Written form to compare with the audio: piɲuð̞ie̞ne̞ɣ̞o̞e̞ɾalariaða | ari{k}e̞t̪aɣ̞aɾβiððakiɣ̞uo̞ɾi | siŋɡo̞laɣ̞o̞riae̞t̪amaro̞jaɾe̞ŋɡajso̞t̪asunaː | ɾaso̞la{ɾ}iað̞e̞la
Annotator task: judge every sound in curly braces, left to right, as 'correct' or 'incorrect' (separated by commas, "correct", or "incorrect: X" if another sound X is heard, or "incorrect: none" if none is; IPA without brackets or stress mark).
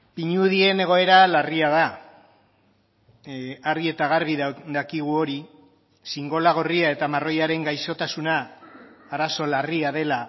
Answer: incorrect: none, incorrect: r